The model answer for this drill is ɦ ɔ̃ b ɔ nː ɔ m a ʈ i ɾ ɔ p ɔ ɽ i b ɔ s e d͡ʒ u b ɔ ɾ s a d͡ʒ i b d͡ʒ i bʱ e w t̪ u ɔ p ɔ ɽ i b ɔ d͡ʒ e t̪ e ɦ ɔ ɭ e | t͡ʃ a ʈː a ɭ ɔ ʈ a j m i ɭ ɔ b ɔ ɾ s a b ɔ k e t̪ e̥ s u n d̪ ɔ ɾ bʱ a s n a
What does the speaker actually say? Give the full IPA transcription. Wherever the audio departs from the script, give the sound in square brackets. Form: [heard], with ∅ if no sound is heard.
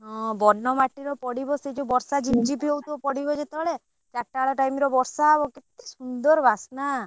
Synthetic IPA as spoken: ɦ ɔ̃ b ɔ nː ɔ m a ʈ i ɾ ɔ p ɔ ɽ i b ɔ s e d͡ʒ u b ɔ ɾ s a d͡ʒ i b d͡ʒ i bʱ e w t̪ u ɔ p ɔ ɽ i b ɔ d͡ʒ e t̪ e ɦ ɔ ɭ e | t͡ʃ a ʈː a ɭ ɔ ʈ a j m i [ɾ] ɔ b ɔ ɾ s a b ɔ k e t̪ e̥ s u n d̪ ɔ ɾ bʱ a s n a